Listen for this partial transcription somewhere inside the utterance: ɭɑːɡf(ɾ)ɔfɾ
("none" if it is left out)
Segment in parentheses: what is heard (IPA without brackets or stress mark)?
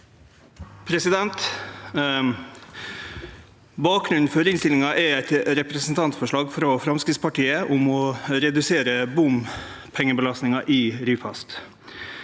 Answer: ɾ